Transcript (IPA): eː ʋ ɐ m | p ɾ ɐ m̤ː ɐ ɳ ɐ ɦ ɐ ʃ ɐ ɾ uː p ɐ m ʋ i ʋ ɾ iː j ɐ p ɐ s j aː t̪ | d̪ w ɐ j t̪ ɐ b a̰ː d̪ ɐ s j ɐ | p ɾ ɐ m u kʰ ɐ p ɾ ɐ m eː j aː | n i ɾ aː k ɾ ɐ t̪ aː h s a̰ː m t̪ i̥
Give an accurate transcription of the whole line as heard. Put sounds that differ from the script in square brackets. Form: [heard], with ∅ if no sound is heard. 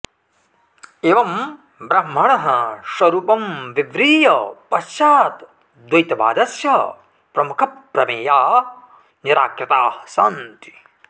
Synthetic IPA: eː ʋ ɐ m | [b] ɾ ɐ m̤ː ɐ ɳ ɐ ɦ ɐ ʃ ɐ ɾ uː p ɐ m ʋ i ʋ ɾ iː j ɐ p ɐ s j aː t̪ | d̪ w ɐ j t̪ ɐ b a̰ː d̪ ɐ s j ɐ | p ɾ ɐ m u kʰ ɐ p ɾ ɐ m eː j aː | n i ɾ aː k ɾ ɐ t̪ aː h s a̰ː [n] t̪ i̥